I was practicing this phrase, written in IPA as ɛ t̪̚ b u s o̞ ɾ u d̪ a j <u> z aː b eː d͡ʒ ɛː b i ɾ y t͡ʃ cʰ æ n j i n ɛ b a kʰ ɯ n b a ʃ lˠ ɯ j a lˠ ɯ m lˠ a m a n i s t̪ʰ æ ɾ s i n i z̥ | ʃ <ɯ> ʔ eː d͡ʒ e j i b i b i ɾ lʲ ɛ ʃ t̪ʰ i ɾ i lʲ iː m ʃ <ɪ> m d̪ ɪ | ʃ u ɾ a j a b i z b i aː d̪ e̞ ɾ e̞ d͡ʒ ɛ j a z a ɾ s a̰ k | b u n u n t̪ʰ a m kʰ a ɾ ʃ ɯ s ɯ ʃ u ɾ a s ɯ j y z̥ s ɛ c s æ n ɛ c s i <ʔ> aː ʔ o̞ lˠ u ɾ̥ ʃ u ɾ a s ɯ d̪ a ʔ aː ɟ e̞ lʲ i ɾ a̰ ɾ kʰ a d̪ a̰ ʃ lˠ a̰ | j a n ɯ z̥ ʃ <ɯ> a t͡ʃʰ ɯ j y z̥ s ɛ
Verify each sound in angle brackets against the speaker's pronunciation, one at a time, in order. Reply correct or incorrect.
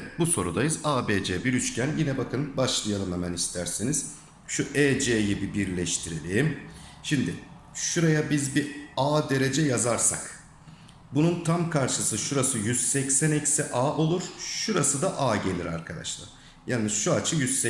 incorrect, incorrect, incorrect, correct, incorrect

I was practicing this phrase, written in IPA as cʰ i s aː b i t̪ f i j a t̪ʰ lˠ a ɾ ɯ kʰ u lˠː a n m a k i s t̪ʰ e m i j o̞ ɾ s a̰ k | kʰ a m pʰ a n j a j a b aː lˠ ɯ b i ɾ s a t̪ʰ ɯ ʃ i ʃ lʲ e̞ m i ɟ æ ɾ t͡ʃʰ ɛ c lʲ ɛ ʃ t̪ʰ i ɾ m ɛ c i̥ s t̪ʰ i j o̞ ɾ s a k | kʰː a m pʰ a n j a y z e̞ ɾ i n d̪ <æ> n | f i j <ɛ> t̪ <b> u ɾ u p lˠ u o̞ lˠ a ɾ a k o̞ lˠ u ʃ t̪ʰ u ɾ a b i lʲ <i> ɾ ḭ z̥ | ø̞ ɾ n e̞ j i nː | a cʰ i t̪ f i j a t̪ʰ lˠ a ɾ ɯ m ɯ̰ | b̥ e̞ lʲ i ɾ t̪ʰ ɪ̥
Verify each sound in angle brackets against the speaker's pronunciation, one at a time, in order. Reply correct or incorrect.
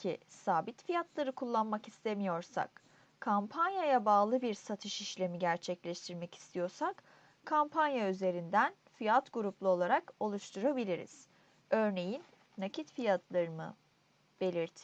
correct, incorrect, incorrect, correct

